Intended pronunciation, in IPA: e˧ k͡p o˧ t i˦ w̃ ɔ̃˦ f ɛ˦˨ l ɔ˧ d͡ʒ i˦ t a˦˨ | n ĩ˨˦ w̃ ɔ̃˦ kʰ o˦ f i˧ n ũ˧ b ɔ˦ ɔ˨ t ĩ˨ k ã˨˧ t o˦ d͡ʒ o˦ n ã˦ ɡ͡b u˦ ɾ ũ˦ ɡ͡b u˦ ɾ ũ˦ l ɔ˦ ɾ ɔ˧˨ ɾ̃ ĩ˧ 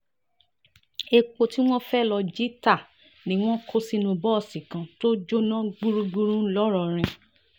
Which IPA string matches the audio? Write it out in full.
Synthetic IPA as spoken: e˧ k͡p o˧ t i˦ w̃ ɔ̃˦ f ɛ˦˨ l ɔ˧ d͡ʒ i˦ t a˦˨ | n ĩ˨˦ w̃ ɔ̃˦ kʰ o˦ s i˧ n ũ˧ b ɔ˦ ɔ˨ s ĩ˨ k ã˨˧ t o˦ d͡ʒ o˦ n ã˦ ɡ͡b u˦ ɾ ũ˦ ɡ͡b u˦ ɾ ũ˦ l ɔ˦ ɾ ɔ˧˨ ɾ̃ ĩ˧